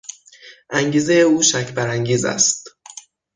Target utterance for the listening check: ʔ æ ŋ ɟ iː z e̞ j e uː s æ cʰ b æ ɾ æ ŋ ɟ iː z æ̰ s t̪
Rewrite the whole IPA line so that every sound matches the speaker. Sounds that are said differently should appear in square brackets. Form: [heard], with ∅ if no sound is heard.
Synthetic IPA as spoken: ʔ æ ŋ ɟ iː z e̞ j e uː [ʃ] æ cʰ b æ ɾ æ ŋ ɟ iː z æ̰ s t̪